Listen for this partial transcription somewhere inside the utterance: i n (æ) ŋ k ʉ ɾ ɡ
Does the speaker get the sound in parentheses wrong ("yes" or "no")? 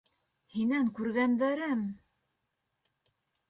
no